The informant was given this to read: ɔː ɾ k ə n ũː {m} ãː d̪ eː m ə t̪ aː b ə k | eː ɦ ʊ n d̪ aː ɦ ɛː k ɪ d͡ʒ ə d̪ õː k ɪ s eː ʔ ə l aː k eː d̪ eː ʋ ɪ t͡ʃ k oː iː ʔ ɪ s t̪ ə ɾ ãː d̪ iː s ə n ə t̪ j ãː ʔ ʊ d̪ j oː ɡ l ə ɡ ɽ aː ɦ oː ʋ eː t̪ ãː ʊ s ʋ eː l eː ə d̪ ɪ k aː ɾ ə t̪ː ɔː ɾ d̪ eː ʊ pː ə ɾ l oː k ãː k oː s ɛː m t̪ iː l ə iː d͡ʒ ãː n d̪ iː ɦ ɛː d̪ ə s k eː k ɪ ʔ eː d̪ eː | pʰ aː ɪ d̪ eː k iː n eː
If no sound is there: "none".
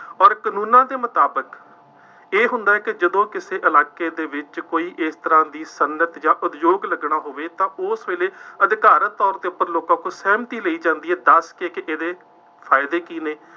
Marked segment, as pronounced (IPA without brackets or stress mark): n